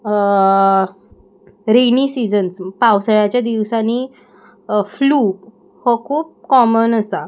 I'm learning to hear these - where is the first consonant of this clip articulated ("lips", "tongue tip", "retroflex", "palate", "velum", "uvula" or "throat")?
tongue tip